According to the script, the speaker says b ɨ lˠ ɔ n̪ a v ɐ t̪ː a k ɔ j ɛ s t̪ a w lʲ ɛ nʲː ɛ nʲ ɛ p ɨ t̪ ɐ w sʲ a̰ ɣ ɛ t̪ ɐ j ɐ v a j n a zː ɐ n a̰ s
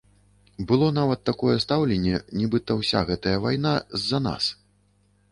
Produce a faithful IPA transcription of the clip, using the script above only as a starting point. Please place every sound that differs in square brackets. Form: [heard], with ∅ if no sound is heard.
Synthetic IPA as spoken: b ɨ lˠ ɔ n̪ a v ɐ t̪ː a k ɔ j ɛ s t̪ a w lʲ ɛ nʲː ɛ nʲ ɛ [b] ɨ t̪ ɐ w sʲ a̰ ɣ ɛ t̪ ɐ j ɐ v a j n a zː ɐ n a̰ s